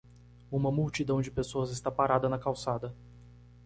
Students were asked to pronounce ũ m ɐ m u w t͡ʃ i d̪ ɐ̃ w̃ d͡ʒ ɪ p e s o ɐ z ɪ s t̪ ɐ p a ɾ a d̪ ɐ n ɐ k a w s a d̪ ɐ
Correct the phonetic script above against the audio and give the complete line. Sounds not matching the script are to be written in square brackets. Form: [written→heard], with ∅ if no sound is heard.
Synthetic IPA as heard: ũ m ɐ m u w t͡ʃ i d̪ ɐ̃ w̃ d͡ʒ ɪ p e s o ɐ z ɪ s t̪ [ɐ→a] p a ɾ a d̪ ɐ n ɐ k a w s a d̪ ɐ